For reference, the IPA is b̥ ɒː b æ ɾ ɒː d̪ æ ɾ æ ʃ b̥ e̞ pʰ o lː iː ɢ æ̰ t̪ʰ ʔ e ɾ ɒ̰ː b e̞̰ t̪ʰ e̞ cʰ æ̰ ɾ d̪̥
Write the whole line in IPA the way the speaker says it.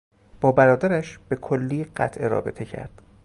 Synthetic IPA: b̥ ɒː b æ ɾ ɒː d̪ æ ɾ æ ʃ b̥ e̞ kʰ o lː iː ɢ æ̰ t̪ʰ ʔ e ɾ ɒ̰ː b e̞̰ t̪ʰ e̞ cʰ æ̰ ɾ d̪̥